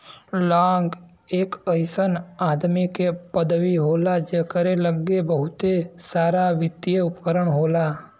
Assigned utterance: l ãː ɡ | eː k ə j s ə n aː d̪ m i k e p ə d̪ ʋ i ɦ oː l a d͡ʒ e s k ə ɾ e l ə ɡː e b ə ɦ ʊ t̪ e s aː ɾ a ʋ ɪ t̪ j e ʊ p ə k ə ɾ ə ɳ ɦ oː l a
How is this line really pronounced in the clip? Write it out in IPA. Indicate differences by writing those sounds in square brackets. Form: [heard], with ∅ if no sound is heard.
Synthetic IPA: l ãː ɡ | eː k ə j s ə n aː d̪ m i k e p ə d̪ ʋ i ɦ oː l a d͡ʒ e [∅] k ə ɾ e l ə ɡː e b ə ɦ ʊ t̪ e s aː ɾ a ʋ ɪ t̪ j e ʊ p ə k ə ɾ ə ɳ ɦ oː l a